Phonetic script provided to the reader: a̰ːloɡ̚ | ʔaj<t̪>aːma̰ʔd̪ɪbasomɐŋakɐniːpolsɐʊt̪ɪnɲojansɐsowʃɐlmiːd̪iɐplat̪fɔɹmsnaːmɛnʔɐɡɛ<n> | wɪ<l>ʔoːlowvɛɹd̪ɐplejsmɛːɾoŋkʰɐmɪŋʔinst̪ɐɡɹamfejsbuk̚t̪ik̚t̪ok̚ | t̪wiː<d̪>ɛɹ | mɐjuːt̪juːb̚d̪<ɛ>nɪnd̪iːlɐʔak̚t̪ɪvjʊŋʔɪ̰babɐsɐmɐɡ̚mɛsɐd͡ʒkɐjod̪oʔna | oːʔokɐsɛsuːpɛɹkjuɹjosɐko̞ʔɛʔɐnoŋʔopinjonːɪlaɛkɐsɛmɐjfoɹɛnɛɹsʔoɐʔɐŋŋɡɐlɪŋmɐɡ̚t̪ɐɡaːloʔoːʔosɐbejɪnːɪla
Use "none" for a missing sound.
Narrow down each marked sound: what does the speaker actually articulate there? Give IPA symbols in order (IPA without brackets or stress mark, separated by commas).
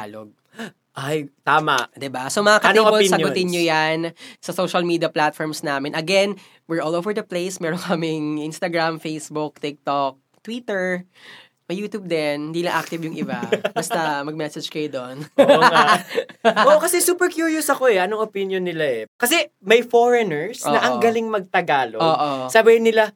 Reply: t̪, n, ɹ, t̪, ɛ